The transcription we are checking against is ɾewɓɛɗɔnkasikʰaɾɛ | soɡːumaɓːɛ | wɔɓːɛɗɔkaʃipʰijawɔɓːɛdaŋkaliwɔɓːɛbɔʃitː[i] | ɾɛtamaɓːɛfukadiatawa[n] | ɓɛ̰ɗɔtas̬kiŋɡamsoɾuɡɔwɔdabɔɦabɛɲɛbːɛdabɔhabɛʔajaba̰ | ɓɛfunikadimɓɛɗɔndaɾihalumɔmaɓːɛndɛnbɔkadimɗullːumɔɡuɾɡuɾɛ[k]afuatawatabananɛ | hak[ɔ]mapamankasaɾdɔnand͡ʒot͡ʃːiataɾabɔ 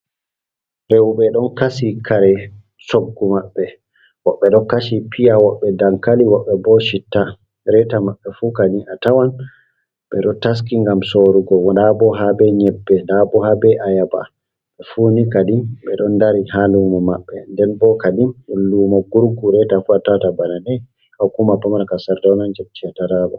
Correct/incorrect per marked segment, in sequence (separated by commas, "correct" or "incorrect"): incorrect, correct, incorrect, incorrect